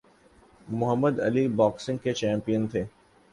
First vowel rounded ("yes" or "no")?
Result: yes